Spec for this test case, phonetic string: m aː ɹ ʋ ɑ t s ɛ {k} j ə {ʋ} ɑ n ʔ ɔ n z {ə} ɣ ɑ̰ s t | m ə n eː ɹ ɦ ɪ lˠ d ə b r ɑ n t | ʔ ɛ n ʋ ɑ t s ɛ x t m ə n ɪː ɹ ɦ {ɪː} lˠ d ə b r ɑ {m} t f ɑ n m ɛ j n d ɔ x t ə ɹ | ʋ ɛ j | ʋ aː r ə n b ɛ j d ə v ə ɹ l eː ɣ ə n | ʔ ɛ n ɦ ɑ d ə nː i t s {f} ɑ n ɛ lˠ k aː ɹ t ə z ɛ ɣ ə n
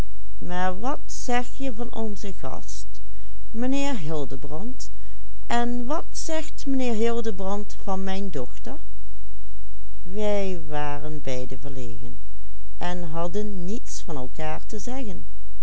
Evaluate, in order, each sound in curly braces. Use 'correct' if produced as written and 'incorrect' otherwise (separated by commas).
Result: incorrect, incorrect, correct, incorrect, incorrect, correct